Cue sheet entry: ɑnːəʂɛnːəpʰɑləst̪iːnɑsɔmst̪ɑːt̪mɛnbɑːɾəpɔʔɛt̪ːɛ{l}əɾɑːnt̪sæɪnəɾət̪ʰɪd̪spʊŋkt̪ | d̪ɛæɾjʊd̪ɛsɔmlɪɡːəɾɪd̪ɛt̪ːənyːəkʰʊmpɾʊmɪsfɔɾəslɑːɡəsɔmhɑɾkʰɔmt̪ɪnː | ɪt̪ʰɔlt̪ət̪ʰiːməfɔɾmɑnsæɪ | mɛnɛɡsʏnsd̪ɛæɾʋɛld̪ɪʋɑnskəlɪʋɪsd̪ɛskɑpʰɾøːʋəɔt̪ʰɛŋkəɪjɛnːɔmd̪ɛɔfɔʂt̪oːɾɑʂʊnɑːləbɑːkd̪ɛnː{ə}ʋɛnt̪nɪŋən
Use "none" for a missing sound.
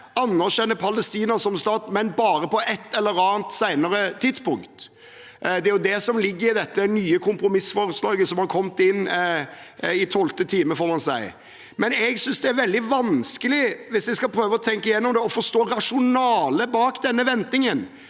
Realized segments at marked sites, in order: lː, ə

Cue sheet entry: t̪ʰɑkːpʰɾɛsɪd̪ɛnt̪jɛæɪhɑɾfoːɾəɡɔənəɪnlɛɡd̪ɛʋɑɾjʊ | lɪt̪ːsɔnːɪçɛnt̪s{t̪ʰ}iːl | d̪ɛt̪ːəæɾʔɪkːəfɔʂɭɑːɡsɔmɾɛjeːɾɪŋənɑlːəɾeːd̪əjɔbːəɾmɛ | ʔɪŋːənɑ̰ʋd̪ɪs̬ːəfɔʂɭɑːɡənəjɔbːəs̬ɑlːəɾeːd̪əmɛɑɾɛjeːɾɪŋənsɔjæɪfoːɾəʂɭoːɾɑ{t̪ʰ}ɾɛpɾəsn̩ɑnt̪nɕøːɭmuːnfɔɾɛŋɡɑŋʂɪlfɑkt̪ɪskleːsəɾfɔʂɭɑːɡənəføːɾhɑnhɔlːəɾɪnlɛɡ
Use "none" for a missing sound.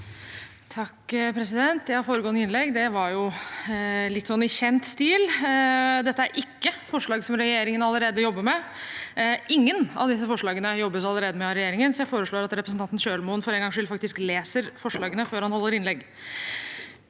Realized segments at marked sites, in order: t̪, t̪

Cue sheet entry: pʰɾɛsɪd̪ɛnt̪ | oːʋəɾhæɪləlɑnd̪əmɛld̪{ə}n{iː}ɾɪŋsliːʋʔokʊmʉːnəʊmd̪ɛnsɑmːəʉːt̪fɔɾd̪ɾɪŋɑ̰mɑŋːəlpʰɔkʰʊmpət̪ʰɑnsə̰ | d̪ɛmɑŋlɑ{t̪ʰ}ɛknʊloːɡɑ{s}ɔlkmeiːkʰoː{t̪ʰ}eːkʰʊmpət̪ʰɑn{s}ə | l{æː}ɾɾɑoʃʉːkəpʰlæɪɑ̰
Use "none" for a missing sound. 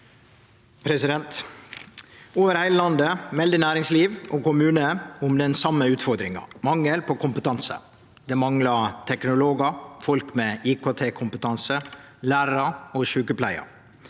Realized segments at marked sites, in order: ə, æː, t̪ʰ, f, t̪ʰ, s, æː

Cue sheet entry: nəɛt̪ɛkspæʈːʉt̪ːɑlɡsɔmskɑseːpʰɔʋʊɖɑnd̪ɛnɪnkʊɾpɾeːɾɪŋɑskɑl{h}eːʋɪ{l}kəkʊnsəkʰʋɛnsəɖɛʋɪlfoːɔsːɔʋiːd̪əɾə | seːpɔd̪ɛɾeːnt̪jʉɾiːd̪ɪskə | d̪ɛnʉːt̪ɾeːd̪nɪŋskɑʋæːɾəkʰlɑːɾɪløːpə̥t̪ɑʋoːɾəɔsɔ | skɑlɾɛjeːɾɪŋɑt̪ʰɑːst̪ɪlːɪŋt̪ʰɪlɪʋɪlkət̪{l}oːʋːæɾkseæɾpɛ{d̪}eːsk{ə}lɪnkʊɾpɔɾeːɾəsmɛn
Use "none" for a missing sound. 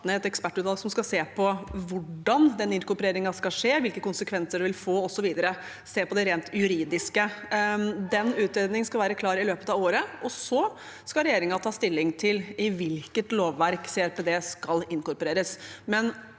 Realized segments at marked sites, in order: ʂ, l, l, d̪, ɑ

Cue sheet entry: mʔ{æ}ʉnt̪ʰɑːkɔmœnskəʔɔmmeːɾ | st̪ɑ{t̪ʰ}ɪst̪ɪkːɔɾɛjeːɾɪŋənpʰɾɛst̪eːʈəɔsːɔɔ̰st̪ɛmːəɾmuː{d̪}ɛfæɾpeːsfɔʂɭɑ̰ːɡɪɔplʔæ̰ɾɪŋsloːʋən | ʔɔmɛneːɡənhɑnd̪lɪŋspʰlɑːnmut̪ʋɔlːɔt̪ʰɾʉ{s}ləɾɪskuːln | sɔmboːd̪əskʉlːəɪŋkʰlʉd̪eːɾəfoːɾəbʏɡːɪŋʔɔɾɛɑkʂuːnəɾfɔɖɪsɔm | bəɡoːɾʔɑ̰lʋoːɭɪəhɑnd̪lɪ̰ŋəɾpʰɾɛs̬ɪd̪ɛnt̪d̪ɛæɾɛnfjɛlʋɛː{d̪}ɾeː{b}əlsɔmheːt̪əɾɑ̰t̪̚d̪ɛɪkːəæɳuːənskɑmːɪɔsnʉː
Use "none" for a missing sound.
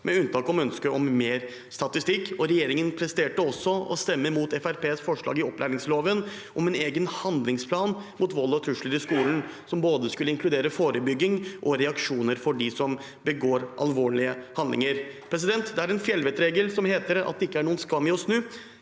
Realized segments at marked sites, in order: ɛ, t̪, t̪, ʂ, t̪, ɡ

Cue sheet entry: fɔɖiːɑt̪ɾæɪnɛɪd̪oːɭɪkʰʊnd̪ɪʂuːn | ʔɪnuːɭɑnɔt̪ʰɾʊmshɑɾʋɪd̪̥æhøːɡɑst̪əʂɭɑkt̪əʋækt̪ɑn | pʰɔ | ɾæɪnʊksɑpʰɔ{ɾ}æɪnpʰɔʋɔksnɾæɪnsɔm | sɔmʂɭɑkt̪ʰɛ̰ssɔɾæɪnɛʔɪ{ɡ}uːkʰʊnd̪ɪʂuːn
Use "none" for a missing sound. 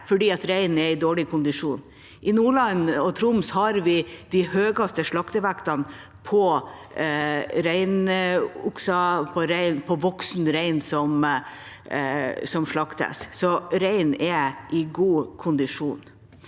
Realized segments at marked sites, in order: ɾ, ɡ

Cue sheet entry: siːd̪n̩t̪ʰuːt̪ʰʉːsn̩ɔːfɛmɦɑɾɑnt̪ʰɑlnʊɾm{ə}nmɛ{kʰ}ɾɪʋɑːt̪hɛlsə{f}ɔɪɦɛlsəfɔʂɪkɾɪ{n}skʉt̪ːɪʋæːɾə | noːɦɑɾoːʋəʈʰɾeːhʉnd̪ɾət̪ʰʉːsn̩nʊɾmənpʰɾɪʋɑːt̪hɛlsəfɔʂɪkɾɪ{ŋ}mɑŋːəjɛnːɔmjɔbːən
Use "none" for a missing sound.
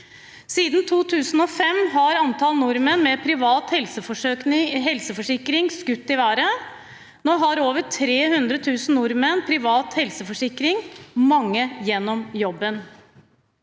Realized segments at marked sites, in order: ə, pʰ, f, ŋ, ŋ

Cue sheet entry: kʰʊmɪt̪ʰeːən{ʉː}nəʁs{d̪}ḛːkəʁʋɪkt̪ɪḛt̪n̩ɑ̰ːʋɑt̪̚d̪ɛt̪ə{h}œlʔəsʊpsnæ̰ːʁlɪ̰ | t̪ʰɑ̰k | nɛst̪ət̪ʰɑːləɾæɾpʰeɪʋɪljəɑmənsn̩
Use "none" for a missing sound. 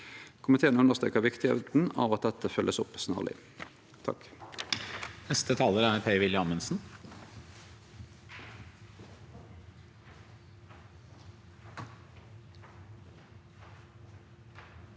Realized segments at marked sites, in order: ʉ, t̪, f

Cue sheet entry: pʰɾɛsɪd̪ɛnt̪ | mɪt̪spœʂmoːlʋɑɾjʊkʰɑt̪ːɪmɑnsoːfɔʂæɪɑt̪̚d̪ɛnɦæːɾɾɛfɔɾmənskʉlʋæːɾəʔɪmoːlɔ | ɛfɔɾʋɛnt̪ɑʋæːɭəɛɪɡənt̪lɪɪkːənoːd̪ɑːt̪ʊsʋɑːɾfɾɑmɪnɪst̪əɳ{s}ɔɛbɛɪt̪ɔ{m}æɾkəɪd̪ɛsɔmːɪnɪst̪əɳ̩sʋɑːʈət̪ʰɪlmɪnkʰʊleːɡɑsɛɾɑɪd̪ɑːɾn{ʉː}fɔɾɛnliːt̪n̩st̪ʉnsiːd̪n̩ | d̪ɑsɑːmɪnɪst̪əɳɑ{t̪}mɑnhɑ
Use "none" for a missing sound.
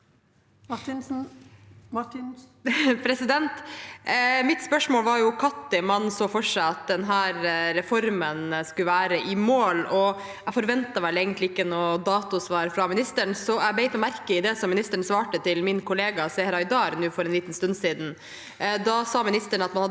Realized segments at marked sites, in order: s, m, ʉː, t̪

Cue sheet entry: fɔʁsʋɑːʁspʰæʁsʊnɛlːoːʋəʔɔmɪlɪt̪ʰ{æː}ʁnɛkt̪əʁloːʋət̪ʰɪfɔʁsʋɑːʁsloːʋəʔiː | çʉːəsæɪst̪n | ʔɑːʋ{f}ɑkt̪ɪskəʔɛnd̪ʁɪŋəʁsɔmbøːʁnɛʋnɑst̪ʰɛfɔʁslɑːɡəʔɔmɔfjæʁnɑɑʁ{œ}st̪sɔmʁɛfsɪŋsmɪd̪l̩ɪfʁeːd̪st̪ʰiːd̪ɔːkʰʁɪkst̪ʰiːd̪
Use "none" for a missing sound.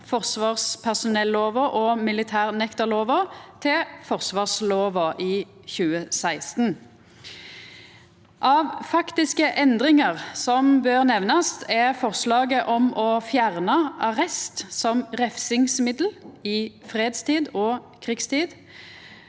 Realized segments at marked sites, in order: æː, f, ɛ

